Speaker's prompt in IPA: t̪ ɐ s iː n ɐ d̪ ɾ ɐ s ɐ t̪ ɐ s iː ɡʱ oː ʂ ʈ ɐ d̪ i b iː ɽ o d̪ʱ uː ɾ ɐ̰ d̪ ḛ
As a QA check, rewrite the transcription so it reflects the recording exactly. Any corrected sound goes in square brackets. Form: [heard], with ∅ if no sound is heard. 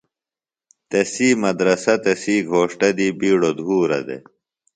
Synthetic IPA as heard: t̪ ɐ s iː [m] ɐ d̪ ɾ ɐ s ɐ t̪ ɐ s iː ɡʱ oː ʂ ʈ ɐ d̪ i b iː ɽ o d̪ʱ uː ɾ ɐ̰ d̪ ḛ

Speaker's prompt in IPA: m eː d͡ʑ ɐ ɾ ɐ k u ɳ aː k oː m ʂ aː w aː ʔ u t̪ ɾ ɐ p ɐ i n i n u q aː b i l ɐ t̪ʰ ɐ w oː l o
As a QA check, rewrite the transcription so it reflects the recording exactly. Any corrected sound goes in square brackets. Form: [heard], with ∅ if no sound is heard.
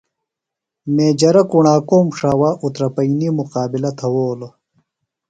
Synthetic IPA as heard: m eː d͡ʑ ɐ ɾ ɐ k u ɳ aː k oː m ʂ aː w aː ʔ u t̪ ɾ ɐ p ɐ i n i [m] u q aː b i l ɐ t̪ʰ ɐ w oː l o

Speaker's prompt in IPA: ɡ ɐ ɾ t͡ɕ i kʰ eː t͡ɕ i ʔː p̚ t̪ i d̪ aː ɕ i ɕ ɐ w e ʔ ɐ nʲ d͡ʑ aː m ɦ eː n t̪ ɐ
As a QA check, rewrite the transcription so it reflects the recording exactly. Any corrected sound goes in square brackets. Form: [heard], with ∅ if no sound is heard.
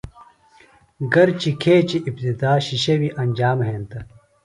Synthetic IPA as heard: ɡ ɐ ɾ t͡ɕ i kʰ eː t͡ɕ i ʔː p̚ t̪ i d̪ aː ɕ i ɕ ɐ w [i] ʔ ɐ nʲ d͡ʑ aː m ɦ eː n t̪ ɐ

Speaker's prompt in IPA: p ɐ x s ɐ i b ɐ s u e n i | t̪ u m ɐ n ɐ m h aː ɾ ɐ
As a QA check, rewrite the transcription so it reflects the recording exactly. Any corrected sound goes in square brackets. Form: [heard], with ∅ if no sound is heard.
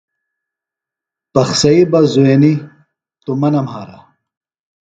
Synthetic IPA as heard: p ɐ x s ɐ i b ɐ [z] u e n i | t̪ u m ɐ n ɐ m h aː ɾ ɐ

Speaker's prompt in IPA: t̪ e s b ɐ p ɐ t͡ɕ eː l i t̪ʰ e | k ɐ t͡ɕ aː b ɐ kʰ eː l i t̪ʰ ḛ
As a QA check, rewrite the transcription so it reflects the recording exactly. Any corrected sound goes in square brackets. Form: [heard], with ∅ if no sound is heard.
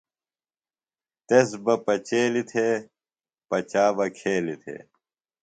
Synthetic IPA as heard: t̪ e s b ɐ p ɐ t͡ɕ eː l i t̪ʰ e | [p] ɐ t͡ɕ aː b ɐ kʰ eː l i t̪ʰ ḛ

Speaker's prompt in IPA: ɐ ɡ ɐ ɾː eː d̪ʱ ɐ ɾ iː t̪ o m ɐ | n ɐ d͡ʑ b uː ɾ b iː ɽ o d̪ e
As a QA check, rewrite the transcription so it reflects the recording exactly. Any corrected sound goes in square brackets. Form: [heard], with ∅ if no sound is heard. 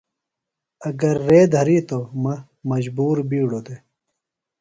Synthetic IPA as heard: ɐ ɡ ɐ ɾː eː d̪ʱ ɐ ɾ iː t̪ o m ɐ | [m] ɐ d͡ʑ b uː ɾ b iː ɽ o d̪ e

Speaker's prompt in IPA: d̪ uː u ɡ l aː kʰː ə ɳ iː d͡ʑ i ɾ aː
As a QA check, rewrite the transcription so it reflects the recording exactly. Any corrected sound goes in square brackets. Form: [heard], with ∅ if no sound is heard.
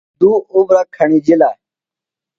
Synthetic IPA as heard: d̪ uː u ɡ [ɾ] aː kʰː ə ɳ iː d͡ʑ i [l] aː

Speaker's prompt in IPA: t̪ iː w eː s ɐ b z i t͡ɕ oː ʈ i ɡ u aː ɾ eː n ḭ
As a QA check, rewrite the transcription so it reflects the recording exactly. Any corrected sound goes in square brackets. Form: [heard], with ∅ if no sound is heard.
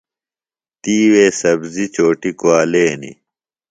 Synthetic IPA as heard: t̪ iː w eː s ɐ b z i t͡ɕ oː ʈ i [k] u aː [l] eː n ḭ

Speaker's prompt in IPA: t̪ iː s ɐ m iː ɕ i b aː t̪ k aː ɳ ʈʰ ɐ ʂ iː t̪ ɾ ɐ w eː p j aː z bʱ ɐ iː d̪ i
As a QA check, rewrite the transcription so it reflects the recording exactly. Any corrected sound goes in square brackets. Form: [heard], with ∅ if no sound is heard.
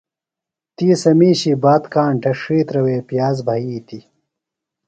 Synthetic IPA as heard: t̪ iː s ɐ m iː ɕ i b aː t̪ k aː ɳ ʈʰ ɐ ʂ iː t̪ ɾ ɐ w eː p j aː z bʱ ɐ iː [t̪] i

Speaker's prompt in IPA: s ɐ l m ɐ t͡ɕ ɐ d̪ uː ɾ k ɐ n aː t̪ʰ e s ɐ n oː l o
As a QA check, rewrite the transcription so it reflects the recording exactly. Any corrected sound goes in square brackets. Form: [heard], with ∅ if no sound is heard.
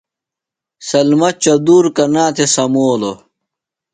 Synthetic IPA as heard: s ɐ l m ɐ t͡ɕ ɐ d̪ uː ɾ k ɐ n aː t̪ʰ e s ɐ [m] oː l o

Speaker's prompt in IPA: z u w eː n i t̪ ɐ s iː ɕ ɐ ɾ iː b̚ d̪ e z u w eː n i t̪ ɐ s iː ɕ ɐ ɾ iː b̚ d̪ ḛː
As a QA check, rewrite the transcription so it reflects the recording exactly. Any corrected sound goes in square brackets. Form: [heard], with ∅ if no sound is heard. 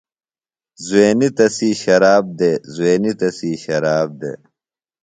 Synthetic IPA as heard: z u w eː n i t̪ ɐ s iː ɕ ɐ ɾ [aː] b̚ d̪ e z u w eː n i t̪ ɐ s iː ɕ ɐ ɾ [aː] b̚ d̪ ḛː

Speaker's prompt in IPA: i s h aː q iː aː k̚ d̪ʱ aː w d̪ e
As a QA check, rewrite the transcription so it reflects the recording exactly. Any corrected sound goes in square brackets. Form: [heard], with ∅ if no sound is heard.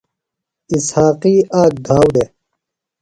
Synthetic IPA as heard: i s h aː q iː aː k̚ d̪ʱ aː w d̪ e

